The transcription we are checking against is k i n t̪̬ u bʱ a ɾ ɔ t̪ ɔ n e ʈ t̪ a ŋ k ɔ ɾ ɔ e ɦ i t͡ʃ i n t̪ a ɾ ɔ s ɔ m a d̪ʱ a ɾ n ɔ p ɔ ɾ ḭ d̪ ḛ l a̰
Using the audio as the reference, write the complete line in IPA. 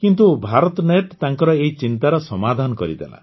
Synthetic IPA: k i n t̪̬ u bʱ a ɾ ɔ t̪ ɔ n e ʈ t̪ a ŋ k ɔ ɾ ɔ e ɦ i t͡ʃ i n t̪ a ɾ ɔ s ɔ m a d̪ʱ a n ɔ k ɔ ɾ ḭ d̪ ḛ l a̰